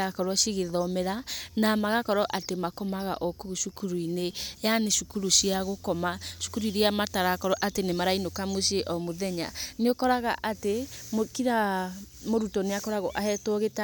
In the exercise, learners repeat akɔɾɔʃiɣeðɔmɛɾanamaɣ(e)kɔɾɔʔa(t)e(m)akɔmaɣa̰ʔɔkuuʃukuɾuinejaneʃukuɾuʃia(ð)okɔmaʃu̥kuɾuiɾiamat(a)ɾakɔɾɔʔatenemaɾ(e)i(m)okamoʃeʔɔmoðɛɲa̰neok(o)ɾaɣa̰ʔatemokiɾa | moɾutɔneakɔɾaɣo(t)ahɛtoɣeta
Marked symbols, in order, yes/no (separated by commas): no, yes, yes, no, yes, no, no, no, no